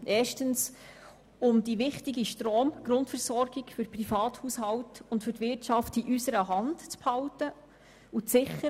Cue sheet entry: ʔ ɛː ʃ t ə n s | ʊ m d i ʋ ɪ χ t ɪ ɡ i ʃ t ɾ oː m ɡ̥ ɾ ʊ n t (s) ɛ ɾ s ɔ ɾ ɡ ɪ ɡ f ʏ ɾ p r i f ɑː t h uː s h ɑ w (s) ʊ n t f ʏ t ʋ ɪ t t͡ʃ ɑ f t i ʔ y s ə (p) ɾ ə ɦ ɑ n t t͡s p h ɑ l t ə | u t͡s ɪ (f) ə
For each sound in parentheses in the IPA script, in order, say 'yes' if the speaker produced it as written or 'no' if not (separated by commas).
no, no, no, no